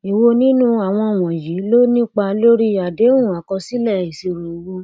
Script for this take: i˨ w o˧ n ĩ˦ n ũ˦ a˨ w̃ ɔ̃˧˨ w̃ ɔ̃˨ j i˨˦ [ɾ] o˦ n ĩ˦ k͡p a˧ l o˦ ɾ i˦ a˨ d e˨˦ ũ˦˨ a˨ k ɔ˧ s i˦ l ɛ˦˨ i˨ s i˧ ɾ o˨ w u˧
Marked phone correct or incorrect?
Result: incorrect